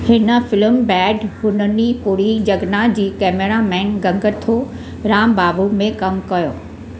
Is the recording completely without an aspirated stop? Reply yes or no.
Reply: no